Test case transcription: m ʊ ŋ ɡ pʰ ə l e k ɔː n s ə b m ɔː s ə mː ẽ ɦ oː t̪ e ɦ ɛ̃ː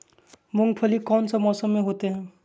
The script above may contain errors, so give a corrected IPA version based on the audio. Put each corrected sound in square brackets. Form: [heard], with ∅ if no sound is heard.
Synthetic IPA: m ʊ ŋ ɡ pʰ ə l [i] k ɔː n s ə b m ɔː s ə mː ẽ ɦ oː t̪ e ɦ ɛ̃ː